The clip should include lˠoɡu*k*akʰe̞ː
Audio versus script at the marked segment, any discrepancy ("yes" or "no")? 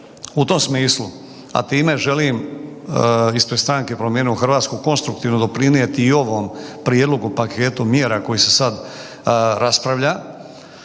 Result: yes